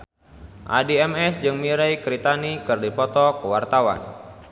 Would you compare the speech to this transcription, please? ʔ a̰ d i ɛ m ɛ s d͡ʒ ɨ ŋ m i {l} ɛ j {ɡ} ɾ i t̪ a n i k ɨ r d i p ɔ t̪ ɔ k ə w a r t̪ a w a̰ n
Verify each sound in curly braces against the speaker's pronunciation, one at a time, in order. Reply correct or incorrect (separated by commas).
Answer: incorrect, incorrect